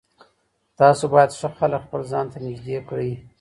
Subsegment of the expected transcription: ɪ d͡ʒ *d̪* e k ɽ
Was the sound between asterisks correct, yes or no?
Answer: yes